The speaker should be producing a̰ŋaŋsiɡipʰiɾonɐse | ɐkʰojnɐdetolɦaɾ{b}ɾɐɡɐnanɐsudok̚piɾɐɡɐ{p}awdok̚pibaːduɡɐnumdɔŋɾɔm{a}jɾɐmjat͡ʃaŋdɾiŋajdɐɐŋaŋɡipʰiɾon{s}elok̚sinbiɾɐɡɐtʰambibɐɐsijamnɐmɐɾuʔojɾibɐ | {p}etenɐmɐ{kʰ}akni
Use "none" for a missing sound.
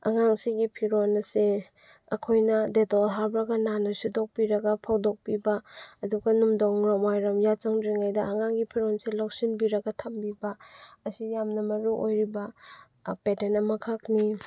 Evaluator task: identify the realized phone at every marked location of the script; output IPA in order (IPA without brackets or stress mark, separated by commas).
b, pʰ, a, s, p, kʰ